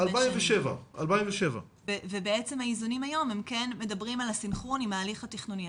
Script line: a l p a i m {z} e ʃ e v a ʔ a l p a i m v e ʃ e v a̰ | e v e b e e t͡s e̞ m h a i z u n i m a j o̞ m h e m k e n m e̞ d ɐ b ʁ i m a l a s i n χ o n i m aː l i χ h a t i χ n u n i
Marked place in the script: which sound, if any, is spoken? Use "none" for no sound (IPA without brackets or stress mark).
v